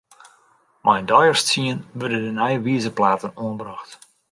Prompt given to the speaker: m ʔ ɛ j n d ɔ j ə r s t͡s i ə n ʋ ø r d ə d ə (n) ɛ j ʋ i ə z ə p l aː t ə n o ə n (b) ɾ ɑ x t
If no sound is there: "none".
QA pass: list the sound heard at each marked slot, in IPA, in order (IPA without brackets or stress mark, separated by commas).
n, b